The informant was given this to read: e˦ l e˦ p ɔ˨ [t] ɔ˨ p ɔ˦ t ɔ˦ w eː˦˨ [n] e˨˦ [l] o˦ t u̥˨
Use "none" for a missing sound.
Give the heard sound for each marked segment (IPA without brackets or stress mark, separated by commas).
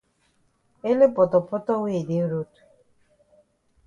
t, d, ɾ